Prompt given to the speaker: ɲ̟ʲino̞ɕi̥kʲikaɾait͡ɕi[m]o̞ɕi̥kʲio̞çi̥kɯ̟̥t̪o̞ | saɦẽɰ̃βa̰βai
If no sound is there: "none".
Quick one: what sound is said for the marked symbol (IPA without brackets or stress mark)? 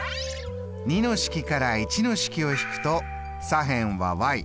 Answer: n